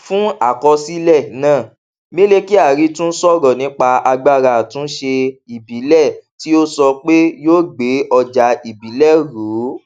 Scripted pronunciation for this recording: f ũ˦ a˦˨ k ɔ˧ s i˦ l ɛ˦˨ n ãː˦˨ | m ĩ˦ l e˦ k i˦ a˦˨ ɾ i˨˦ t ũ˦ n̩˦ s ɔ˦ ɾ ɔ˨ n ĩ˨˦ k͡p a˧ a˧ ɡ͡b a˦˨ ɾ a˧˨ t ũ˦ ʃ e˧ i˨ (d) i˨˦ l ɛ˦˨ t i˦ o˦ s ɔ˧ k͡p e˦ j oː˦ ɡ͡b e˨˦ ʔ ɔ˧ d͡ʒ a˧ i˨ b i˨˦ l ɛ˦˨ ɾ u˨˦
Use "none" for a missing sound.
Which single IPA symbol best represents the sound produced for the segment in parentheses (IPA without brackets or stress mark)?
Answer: b